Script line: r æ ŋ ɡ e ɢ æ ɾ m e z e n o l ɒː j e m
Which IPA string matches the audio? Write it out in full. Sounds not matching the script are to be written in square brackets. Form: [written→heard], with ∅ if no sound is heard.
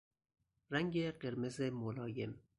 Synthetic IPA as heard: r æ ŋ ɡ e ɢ [æ→e] ɾ m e z e [n→m] o l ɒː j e m